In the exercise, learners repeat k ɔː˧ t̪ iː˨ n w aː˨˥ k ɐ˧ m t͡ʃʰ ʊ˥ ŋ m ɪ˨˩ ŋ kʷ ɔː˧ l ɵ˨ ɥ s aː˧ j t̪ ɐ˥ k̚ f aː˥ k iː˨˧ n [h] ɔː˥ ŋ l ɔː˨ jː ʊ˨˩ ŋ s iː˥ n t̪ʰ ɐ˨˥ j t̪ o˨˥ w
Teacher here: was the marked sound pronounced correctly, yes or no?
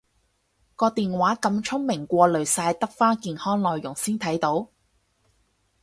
yes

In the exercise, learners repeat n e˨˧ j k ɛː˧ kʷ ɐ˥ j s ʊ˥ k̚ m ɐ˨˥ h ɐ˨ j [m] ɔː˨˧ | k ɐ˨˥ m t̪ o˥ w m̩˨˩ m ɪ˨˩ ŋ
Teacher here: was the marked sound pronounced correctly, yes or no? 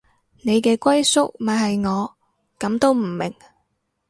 no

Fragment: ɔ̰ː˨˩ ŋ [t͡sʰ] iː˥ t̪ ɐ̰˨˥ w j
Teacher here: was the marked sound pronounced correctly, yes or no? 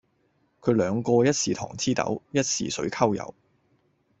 yes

